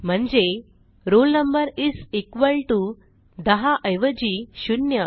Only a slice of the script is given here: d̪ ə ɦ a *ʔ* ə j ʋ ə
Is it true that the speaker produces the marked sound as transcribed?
yes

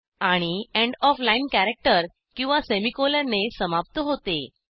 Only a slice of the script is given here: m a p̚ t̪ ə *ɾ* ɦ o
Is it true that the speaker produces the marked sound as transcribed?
no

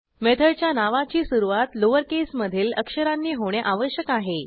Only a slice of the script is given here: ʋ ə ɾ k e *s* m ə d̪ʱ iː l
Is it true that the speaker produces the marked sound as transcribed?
yes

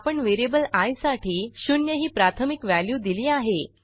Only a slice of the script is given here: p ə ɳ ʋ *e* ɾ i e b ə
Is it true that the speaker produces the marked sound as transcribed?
yes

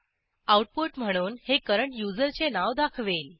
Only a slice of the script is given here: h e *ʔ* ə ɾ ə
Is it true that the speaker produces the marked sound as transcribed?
no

